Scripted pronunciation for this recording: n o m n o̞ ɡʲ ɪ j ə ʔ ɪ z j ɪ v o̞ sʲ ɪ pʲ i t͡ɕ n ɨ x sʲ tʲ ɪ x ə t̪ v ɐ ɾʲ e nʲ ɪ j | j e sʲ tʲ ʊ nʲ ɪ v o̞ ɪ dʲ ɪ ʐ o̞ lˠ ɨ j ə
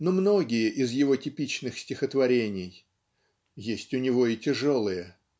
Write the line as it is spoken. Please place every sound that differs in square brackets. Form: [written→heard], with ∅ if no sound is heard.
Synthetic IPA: n o m n o̞ ɡʲ ɪ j ə ʔ ɪ z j ɪ v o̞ [sʲ→tʲ] ɪ pʲ i t͡ɕ n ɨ x sʲ tʲ ɪ x ə t̪ v ɐ ɾʲ e nʲ ɪ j | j e sʲ tʲ ʊ nʲ ɪ v o̞ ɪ [dʲ→tʲ] ɪ ʐ o̞ lˠ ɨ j ə